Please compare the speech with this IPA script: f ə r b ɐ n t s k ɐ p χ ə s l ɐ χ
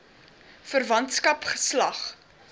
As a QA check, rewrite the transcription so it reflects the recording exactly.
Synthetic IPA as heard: f ə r v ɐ n t s k ɐ p χ ə s l ɐ χ

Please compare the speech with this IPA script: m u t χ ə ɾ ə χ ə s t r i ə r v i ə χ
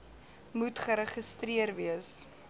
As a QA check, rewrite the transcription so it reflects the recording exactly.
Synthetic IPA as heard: m u t χ ə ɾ ə χ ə s t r i ə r v i ə s

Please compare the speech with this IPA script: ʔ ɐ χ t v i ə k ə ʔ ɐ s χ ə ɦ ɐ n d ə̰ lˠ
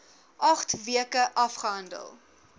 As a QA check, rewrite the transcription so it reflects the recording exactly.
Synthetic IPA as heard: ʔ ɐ χ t v i ə k ə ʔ ɐ f χ ə ɦ ɐ n d ə̰ lˠ

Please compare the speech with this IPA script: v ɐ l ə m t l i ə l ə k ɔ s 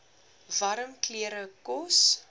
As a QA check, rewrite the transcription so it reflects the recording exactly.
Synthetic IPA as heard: v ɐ ɾ ə m k l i ə ɾ ə k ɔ s

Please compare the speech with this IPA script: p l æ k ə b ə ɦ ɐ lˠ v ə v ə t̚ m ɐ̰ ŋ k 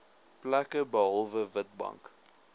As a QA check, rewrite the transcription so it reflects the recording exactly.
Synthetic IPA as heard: p l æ k ə b ə ɦ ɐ lˠ v ə v ə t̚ b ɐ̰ ŋ k

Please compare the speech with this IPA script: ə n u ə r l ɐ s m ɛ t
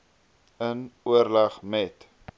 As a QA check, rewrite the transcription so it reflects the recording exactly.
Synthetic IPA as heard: ə n u ə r l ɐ χ m ɛ t

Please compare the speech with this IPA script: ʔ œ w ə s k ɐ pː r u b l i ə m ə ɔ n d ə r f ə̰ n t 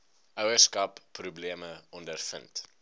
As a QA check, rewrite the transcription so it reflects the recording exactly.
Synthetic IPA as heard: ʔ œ w ə s k ɐ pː r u b l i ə m ə ɔ n d ə r f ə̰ n t

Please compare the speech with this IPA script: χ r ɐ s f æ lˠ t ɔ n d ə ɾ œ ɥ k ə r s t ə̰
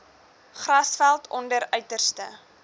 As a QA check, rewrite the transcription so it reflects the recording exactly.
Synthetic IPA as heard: χ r ɐ s f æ lˠ t ɔ n d ə ɾ œ ɥ t ə r s t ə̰

